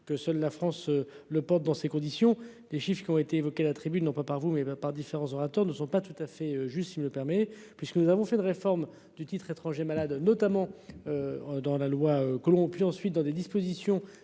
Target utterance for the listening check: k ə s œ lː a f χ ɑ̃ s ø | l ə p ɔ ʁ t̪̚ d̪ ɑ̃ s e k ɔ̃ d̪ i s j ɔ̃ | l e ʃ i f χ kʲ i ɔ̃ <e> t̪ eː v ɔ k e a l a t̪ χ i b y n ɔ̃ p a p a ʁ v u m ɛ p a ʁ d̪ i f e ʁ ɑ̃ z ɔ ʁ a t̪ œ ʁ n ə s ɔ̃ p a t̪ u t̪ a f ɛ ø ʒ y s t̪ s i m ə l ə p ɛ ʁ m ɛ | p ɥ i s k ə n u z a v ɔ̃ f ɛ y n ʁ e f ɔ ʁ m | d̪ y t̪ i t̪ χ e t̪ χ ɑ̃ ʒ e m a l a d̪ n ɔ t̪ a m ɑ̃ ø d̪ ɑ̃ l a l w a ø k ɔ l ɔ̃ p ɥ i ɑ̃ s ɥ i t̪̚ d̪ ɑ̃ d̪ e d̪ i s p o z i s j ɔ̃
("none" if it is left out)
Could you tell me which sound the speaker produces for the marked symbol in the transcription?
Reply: e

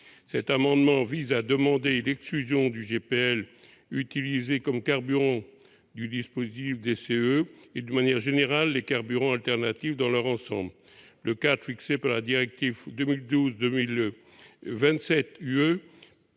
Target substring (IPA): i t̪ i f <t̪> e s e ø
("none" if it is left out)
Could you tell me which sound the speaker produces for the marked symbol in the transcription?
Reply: d̪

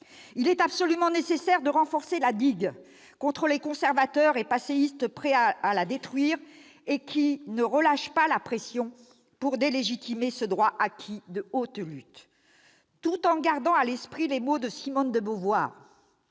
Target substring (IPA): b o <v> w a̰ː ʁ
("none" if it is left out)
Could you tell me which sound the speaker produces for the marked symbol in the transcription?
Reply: v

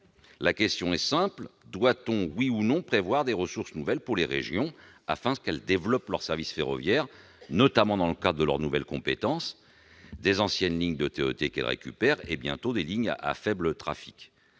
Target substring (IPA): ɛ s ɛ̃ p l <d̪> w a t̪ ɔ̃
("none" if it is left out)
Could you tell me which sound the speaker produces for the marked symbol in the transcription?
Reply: d̪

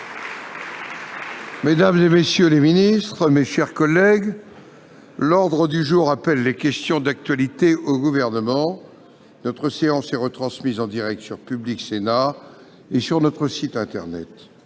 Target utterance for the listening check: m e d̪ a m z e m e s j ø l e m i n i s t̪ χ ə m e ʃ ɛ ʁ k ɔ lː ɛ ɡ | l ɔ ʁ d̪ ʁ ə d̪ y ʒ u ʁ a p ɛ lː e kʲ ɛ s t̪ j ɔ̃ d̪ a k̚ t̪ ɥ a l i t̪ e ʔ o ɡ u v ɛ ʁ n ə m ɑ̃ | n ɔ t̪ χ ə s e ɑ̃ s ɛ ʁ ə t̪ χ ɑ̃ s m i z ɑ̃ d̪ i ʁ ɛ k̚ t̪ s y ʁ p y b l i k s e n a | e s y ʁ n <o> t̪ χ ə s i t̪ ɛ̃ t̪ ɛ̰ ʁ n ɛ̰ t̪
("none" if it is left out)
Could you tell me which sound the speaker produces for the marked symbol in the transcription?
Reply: ɔ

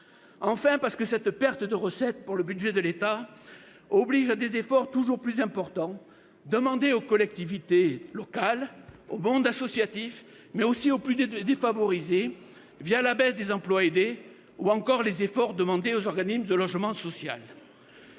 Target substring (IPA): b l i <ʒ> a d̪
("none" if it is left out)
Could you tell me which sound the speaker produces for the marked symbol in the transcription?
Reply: ʒ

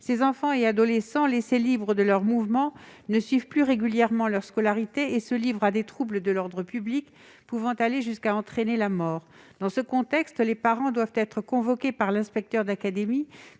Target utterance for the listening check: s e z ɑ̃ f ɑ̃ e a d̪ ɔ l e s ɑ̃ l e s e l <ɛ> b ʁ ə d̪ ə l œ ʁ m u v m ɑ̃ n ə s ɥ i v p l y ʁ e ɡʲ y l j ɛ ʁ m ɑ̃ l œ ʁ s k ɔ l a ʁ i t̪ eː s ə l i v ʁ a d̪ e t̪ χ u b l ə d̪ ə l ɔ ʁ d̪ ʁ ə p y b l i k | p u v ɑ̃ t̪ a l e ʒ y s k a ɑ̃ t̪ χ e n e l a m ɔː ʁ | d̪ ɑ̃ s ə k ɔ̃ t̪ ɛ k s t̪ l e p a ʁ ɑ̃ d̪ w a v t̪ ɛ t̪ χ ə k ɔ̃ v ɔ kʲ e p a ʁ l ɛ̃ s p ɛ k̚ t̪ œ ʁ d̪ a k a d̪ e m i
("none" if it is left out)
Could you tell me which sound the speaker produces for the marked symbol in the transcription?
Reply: i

